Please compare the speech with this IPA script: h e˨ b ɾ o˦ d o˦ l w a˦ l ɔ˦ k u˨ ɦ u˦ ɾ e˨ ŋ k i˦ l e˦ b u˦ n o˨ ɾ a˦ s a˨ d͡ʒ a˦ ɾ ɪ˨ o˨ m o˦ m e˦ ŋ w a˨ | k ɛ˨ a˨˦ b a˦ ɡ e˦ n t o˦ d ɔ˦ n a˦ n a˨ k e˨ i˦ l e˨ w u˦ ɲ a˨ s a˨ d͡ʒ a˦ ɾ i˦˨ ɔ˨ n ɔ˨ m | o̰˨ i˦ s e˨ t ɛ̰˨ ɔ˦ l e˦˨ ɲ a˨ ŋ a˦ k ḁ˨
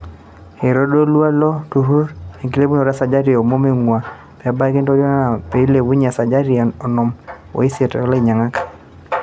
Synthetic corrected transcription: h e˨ ɾ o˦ d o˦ l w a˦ l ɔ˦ t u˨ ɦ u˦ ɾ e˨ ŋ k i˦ l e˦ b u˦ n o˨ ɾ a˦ s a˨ d͡ʒ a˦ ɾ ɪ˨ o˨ m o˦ m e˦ ŋ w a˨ | p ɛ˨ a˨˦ b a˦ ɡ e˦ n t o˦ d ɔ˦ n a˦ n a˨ p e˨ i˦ l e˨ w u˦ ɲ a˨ s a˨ d͡ʒ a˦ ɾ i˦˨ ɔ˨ n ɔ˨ m | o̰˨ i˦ s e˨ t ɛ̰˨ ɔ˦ l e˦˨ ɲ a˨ ŋ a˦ k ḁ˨